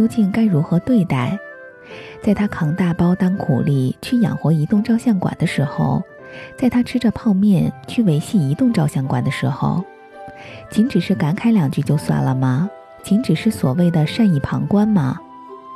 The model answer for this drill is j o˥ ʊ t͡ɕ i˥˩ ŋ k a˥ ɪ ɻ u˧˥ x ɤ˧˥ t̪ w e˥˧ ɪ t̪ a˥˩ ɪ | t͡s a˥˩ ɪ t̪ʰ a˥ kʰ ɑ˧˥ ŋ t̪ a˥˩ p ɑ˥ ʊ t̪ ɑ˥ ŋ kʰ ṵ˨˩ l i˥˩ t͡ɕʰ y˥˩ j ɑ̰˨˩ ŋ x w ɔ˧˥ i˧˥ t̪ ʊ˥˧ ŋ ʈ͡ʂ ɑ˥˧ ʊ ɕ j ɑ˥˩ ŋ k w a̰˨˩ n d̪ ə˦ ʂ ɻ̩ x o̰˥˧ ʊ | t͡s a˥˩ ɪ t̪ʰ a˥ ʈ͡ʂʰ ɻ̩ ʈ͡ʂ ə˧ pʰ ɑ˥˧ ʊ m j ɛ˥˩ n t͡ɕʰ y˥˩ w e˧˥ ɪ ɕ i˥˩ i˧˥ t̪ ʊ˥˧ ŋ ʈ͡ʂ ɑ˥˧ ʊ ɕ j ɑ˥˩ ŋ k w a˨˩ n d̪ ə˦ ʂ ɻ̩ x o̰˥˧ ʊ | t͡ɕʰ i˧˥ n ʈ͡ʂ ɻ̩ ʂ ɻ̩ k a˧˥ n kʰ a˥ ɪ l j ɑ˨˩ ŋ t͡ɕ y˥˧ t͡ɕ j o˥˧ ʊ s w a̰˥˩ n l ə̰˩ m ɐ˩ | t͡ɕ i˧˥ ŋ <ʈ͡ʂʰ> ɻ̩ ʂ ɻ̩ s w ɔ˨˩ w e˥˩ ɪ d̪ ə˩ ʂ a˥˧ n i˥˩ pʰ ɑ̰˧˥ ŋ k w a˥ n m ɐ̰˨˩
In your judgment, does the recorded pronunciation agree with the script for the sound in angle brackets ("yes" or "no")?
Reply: no